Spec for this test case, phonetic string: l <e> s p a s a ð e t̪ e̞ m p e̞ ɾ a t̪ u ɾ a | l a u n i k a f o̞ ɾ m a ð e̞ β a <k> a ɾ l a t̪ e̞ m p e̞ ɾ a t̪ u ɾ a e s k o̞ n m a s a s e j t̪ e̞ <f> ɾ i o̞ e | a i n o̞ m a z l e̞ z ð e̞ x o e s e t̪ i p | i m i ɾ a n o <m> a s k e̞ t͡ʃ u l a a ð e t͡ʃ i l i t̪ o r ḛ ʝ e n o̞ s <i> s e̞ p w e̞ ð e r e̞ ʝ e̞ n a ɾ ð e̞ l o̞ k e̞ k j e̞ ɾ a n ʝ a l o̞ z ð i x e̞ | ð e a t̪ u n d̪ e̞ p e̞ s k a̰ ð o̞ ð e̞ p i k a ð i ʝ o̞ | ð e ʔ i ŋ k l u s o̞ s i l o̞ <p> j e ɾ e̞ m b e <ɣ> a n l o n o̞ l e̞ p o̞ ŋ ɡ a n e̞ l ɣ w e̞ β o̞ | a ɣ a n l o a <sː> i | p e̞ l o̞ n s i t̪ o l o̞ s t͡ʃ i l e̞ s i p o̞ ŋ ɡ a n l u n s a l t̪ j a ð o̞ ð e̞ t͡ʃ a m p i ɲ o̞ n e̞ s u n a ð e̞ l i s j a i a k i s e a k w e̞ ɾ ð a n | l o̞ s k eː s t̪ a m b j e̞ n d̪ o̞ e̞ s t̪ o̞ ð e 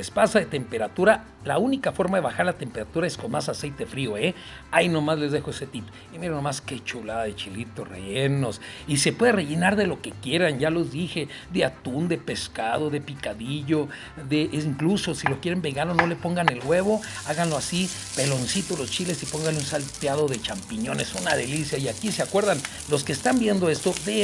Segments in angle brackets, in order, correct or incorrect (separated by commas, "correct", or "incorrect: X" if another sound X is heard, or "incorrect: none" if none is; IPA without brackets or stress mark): correct, incorrect: x, correct, correct, correct, incorrect: k, correct, incorrect: s